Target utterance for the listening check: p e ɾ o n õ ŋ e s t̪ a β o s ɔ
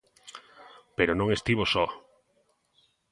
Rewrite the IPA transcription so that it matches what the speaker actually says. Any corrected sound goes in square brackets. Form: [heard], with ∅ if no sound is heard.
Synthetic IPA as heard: p e ɾ o n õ ŋ e s t̪ [i] β o s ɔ